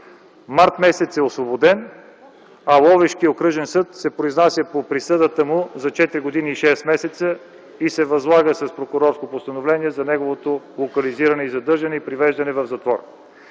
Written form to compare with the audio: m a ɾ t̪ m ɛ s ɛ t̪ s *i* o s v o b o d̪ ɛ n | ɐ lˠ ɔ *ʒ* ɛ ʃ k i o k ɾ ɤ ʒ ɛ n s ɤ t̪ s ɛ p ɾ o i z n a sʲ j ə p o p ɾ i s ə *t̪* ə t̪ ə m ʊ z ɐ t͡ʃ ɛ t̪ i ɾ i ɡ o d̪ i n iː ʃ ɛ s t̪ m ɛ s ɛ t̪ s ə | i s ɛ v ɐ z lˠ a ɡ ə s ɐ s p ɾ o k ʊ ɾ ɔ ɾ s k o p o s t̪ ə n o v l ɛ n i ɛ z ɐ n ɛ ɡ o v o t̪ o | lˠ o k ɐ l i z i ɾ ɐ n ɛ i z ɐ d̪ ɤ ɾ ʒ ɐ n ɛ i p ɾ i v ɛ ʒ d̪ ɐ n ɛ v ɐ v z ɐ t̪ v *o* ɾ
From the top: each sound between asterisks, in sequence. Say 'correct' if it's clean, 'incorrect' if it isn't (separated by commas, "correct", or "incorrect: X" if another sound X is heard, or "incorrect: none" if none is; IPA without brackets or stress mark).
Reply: incorrect: ɛ, incorrect: v, incorrect: d̪, incorrect: ɔ